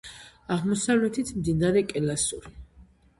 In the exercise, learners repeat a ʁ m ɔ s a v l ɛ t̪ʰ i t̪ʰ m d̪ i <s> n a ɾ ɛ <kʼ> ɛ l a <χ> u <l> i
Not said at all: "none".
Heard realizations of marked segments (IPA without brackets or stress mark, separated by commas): none, kʼ, s, ɾ